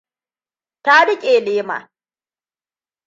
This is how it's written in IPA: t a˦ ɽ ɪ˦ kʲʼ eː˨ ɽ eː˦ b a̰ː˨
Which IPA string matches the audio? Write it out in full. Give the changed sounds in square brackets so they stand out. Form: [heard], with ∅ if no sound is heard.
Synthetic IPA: t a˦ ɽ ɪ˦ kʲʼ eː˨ [l] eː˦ [m] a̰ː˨